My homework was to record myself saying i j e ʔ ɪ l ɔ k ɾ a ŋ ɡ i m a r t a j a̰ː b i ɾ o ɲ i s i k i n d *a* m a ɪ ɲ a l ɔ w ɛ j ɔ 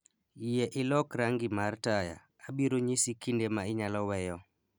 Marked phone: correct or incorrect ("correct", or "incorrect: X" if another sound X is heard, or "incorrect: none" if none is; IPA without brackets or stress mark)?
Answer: incorrect: e